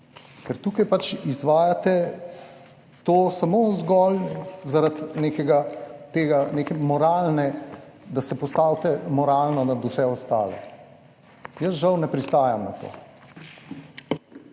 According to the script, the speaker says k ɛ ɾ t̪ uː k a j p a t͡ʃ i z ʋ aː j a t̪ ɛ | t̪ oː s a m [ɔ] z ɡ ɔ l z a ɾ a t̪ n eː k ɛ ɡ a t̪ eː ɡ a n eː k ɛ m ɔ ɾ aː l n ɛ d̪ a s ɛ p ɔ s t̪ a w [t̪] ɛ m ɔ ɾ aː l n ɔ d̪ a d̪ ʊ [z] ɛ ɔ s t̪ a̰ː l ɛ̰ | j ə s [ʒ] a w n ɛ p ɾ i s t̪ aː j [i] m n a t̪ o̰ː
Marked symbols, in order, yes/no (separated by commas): no, yes, no, yes, no